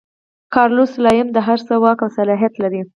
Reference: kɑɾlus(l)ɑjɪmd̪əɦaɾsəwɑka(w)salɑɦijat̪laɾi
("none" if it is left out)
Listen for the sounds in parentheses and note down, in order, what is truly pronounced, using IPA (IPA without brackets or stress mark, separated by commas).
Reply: l, w